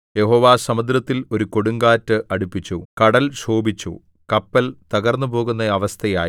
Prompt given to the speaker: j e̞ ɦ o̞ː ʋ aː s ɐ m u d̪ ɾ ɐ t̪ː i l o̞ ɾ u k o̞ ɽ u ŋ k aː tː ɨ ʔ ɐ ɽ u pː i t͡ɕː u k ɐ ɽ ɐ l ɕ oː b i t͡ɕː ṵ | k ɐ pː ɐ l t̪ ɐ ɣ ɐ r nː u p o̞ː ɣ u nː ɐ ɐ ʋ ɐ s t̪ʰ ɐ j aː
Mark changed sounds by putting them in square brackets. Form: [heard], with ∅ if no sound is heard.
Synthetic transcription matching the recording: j e̞ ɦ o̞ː ʋ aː s ɐ m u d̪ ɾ ɐ t̪ː i l o̞ ɾ u k o̞ ɽ u ŋ [ɡ] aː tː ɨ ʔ ɐ ɽ u pː i t͡ɕː u k ɐ ɽ ɐ l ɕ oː b i t͡ɕː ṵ | k ɐ pː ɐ l t̪ ɐ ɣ ɐ r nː u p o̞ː ɣ u nː ɐ ɐ ʋ ɐ s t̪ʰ ɐ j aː